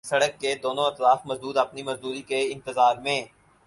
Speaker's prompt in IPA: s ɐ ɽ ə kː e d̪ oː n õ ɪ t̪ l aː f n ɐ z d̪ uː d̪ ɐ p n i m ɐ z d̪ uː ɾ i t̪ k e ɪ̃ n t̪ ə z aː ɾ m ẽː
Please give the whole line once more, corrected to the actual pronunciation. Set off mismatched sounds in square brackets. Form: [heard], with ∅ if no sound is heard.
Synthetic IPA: s ɐ ɽ ə kː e d̪ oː n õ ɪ t̪ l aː f [m] ɐ z d̪ uː d̪ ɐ p n i m ɐ z d̪ uː ɾ i [∅] k e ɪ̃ n t̪ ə z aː ɾ m ẽː